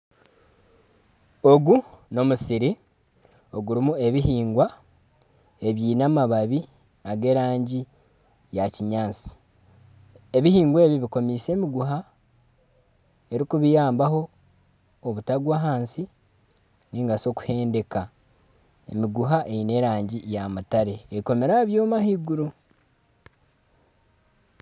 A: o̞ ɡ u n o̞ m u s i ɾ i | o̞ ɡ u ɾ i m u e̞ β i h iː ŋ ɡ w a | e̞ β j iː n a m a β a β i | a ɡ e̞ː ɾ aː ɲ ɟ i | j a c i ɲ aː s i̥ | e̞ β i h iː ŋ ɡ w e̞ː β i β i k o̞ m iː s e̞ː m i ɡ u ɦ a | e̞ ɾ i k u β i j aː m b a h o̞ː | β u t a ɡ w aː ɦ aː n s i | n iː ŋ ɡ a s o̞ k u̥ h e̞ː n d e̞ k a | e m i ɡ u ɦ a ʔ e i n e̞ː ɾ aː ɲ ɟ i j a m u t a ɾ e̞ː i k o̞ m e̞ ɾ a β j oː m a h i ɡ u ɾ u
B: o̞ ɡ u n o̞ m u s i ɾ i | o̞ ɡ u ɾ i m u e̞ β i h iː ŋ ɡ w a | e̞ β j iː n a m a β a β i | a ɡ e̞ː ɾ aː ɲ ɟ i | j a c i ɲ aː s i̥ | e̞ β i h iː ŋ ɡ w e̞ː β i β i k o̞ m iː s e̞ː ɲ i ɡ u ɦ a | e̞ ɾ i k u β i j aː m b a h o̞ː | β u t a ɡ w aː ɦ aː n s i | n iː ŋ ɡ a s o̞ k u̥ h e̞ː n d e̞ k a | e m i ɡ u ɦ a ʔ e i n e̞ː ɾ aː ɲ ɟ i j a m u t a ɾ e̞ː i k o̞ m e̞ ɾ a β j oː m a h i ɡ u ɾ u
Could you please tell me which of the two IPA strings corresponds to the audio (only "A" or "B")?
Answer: A